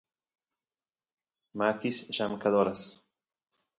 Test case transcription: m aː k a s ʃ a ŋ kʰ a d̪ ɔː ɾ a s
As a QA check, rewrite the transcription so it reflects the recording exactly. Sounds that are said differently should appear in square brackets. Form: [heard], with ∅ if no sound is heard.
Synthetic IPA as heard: m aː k [i] s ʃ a [m] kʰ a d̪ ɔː ɾ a s